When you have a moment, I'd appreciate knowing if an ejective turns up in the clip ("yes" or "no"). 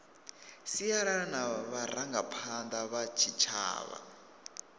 no